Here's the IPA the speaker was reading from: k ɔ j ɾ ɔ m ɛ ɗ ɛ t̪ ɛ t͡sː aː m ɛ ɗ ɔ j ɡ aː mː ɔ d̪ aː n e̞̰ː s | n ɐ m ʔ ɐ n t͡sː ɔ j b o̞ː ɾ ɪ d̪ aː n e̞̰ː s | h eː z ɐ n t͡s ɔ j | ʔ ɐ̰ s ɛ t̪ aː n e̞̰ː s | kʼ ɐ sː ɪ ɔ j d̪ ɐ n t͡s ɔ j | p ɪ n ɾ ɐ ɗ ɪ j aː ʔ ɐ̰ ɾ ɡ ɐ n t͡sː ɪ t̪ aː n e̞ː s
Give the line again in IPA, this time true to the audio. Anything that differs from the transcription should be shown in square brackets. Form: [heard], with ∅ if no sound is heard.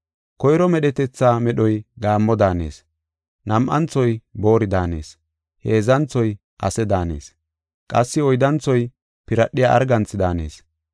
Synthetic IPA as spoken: k ɔ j ɾ ɔ m ɛ ɗ ɛ t̪ ɛ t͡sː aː m ɛ ɗ ɔ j ɡ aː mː ɔ d̪ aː n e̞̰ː s | n ɐ m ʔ ɐ n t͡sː ɔ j b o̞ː ɾ ɪ d̪ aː n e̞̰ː s | h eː z ɐ n t͡s ɔ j | ʔ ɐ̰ s ɛ [d̪] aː n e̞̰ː s | kʼ ɐ sː ɪ ɔ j d̪ ɐ n t͡s ɔ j | p ɪ [∅] ɾ ɐ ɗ ɪ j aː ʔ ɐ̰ ɾ ɡ ɐ n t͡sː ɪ [d̪] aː n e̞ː s